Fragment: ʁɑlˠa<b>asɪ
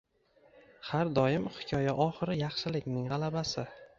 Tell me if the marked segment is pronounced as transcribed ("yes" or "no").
yes